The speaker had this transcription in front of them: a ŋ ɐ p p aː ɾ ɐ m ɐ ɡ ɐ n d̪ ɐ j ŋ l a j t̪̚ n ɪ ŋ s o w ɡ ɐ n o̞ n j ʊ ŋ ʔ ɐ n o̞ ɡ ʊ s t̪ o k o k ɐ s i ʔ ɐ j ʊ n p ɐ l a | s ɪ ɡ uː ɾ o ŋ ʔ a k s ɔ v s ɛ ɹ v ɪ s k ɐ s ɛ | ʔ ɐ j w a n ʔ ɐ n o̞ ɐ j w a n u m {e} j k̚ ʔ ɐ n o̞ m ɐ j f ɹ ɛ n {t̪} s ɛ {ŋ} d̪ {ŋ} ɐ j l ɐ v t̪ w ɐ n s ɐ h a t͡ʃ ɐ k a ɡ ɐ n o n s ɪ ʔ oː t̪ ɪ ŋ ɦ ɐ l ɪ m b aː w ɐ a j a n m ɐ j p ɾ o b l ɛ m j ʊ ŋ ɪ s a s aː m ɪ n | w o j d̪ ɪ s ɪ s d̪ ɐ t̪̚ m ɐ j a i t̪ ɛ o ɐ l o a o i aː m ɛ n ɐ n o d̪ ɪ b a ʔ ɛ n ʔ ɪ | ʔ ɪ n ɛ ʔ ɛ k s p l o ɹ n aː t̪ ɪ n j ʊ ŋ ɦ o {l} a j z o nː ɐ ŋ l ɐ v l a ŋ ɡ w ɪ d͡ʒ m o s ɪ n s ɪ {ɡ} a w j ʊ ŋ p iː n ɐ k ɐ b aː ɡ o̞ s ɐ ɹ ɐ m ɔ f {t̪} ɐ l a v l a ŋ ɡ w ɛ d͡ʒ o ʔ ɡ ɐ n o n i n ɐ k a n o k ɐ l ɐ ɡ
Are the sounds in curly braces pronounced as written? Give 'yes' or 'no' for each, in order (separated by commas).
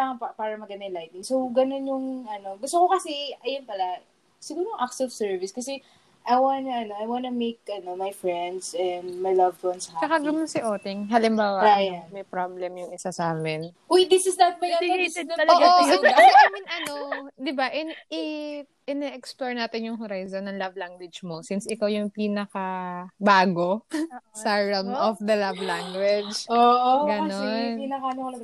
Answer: yes, no, no, no, no, no, no